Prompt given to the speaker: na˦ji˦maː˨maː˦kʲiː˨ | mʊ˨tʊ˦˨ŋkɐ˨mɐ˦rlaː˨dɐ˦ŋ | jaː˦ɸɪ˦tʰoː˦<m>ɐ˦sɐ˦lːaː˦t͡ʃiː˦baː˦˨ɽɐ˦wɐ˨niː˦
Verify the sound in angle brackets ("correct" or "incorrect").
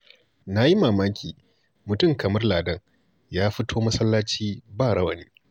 correct